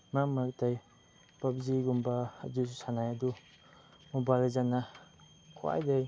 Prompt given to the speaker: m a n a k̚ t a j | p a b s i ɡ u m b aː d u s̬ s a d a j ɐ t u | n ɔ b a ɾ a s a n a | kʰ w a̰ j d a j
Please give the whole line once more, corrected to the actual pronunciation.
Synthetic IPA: m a m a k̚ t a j | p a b z i ɡ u m b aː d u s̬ s a n a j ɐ d u | m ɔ b a l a z a n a | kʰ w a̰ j d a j